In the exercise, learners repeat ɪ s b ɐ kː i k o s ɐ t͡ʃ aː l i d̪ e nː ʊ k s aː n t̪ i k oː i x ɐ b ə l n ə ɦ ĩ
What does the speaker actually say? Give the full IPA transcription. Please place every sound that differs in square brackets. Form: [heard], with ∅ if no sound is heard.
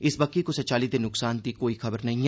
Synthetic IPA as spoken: ɪ s b ɐ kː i k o s ɐ t͡ʃ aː l i d̪ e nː ʊ k s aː n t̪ i k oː i x ɐ b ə [ɾ] n [ɐ] ɦ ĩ